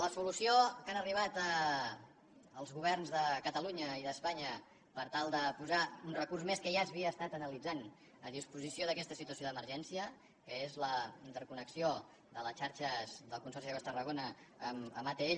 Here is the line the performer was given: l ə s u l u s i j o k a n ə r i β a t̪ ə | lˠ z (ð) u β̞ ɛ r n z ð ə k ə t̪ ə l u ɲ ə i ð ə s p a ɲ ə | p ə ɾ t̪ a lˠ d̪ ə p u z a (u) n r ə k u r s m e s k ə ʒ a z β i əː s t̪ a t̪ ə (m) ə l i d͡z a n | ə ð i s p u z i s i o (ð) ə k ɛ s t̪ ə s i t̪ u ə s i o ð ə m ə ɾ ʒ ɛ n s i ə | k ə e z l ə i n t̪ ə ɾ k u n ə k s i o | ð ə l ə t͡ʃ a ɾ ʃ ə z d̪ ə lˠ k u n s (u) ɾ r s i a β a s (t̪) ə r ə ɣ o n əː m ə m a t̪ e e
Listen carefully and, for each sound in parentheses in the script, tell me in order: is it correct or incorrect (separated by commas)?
incorrect, correct, incorrect, correct, incorrect, correct